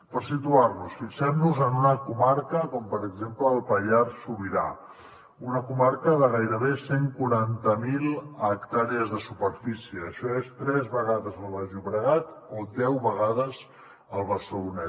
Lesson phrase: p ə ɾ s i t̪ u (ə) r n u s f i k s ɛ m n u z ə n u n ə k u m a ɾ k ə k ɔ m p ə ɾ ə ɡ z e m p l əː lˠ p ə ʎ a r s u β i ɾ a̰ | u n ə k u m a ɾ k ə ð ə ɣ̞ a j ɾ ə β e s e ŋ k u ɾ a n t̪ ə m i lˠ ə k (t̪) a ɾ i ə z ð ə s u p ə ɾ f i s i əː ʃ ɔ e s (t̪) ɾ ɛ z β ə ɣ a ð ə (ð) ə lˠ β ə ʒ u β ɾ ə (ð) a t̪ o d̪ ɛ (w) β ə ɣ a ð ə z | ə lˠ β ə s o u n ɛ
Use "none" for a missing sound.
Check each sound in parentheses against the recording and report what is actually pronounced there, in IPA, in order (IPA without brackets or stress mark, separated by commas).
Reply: a, t̪, t̪, z, ɣ, w